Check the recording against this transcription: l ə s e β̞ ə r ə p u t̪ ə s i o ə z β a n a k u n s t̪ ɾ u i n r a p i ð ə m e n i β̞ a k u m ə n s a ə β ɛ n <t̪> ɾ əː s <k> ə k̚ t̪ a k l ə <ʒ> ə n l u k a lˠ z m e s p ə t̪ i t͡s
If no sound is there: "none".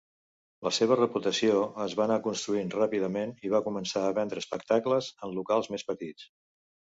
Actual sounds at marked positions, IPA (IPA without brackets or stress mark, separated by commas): d̪, p, z